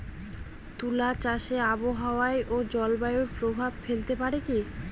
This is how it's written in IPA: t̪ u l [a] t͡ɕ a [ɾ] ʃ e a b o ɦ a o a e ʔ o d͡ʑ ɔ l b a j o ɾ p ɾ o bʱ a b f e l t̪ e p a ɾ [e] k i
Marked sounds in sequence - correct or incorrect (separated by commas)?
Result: correct, incorrect, correct